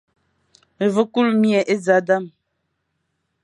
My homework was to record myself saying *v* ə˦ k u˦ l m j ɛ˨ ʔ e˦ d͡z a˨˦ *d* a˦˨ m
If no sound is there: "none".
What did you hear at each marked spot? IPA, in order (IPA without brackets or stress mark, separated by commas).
v, d